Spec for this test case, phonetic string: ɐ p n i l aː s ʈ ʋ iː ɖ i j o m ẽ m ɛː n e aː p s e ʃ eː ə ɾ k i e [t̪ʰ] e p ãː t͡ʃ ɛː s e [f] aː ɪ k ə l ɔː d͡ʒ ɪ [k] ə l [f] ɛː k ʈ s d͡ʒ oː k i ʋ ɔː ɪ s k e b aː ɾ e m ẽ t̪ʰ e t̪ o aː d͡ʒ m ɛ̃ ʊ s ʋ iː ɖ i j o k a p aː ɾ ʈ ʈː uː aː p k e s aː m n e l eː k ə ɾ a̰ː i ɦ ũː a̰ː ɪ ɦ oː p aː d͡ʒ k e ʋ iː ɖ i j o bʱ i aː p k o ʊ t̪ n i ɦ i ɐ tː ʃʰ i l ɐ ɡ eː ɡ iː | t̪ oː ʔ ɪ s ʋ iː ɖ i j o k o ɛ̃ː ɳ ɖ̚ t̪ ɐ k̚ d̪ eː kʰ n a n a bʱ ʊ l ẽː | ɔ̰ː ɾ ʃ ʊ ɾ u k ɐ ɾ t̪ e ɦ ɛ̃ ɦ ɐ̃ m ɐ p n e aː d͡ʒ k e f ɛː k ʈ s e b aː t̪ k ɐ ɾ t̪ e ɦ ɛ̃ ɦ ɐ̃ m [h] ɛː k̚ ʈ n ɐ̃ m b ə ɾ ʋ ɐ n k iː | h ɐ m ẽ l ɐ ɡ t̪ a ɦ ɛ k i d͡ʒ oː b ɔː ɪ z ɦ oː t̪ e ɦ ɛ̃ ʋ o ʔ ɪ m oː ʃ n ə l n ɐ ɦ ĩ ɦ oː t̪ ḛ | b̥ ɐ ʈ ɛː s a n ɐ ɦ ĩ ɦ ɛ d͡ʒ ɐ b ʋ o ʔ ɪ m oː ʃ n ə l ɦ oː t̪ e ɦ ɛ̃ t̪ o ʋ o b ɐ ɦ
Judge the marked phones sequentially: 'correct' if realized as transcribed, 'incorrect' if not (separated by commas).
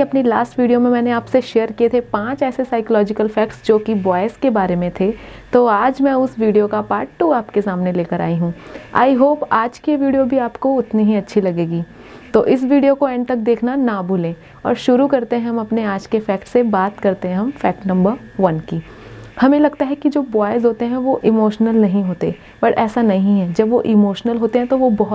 correct, incorrect, correct, correct, incorrect